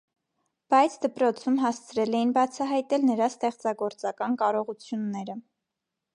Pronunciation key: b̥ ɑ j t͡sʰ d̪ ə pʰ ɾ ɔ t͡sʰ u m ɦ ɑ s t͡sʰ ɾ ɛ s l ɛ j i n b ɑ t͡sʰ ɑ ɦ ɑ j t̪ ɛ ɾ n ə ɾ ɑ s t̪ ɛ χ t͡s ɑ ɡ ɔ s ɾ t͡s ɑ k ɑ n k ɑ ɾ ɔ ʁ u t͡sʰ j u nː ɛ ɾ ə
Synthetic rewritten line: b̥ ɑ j t͡sʰ d̪ ə p ɾ ɔ t͡sʰ u m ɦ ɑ s t͡sʰ ɾ ɛ l ɛ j i n b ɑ t͡sʰ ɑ ɦ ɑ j t̪ ɛ l n ə ɾ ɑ s t̪ ɛ χ t͡s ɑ ɡ ɔ ɾ t͡s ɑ k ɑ n k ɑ ɾ ɔ ʁ u t͡sʰ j u nː ɛ ɾ ə